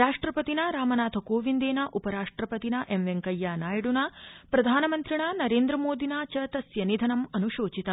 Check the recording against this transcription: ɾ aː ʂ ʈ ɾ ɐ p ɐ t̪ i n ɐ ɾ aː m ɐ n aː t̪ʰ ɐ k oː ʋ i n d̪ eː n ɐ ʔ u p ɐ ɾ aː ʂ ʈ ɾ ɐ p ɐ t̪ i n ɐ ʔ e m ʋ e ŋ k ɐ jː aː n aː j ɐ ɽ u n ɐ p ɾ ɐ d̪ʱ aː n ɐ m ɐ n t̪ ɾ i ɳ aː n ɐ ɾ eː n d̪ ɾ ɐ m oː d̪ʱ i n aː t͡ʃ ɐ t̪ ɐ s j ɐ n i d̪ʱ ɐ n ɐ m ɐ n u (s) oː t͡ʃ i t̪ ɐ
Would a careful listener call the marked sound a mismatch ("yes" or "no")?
yes